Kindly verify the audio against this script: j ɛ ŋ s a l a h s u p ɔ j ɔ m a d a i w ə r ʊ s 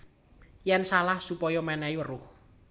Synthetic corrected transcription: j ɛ n s a l a h s u p ɔ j ɔ m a n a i w ə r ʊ h